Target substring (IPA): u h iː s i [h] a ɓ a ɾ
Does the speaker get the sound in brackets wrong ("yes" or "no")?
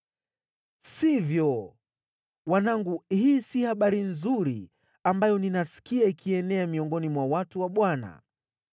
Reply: no